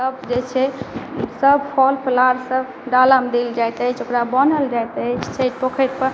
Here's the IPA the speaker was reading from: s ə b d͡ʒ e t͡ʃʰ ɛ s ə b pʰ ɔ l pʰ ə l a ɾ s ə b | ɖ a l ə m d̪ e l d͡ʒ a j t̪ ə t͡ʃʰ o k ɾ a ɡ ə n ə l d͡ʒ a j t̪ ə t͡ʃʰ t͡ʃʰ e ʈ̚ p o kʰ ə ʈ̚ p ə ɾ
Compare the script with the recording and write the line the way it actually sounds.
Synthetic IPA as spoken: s ə b d͡ʒ e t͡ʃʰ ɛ s ə b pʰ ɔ l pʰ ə l a ɾ s ə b | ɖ a l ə m d̪ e l d͡ʒ a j t̪ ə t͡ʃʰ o k ɾ a b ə n ə l d͡ʒ a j t̪ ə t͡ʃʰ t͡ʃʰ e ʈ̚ p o kʰ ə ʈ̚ p ə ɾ

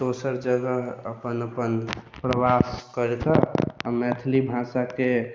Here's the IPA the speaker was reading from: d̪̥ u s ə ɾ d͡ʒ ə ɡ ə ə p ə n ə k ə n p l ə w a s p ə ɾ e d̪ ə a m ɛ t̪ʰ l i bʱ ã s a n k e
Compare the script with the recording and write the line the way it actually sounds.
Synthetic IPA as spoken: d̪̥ o s ə ɾ d͡ʒ ə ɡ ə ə p ə n ə p ə n p ɾ ə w a s k ə ɾ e t̪ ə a m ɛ t̪ʰ l i bʱ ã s a k e

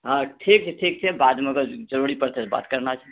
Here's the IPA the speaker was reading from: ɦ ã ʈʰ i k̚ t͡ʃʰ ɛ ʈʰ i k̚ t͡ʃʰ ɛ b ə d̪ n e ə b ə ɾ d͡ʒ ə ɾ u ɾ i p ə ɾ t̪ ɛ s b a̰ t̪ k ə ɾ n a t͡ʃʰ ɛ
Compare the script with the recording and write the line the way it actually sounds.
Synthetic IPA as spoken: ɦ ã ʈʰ i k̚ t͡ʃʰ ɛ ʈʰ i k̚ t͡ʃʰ ɛ b a d̪ m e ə ɡ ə ɾ d͡ʒ ə ɾ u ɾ i p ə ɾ t̪ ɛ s b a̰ t̪ k ə ɾ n a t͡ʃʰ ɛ

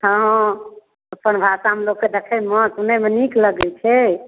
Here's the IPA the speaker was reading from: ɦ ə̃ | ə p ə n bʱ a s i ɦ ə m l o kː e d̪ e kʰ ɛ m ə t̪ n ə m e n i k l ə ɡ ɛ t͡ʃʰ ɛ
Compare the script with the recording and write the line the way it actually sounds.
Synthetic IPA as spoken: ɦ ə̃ | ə p ə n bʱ a s a ɦ ə m l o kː e d̪ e kʰ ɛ m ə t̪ n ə m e n i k l ə ɡ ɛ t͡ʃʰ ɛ

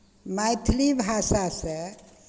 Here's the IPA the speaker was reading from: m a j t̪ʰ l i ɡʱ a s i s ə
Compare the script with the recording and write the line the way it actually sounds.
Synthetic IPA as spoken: m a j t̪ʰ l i bʱ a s a s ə

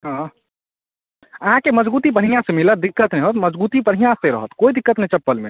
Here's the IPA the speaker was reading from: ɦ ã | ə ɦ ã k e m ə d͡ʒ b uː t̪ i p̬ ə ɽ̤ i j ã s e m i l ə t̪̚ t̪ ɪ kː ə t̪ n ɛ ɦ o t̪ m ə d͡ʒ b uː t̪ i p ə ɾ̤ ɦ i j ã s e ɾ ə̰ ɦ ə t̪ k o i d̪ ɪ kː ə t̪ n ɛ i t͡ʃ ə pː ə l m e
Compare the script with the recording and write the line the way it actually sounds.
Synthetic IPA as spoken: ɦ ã | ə ɦ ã k e m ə d͡ʒ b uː t̪ i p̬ ə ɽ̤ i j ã s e m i l ə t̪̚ d̪ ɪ kː ə t̪ n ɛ ɦ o t̪ m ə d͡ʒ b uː t̪ i p ə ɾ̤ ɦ i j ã s e ɾ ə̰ ɦ ə t̪ k o i d̪ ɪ kː ə t̪ n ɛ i t͡ʃ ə pː ə l m e

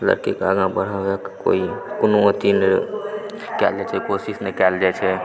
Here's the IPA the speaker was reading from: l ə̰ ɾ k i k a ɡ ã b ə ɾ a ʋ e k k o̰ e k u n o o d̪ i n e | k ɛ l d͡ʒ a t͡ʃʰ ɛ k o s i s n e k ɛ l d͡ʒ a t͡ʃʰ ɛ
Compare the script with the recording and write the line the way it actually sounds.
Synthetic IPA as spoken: l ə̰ ɾ k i k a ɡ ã b ə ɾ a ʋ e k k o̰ i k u n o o t̪ i n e | k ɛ l d͡ʒ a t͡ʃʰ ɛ k o s i s n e k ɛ l d͡ʒ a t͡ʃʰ ɛ

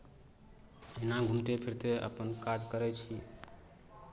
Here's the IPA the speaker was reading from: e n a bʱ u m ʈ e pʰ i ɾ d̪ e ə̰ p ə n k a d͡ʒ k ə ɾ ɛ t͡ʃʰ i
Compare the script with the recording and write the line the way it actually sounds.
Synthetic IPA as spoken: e n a ɡʱ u m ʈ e pʰ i ɾ t̪ e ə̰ p ə n k a d͡ʒ k ə ɾ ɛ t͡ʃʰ i

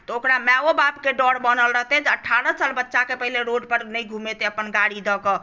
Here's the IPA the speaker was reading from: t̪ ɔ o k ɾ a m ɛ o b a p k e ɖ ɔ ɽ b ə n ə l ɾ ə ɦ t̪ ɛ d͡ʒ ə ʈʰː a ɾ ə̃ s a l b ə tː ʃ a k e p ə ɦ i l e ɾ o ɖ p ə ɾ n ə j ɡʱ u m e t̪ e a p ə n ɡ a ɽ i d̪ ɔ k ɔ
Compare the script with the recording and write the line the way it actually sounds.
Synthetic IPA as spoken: t̪ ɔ o k ɾ a m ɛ o b a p k e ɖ ɔ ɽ b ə n ə l ɾ ə ɦ t̪ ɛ d͡ʒ ə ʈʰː a ɾ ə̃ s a l b ə tː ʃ a k e p ə ɦ i l e ɾ o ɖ p ə ɾ n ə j ɡʱ u m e t̪ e ə p ə n ɡ a ɽ i d̪ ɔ k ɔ

